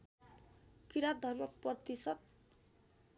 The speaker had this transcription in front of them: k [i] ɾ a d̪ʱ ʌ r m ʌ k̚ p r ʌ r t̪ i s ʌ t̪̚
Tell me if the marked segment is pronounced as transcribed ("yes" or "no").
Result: yes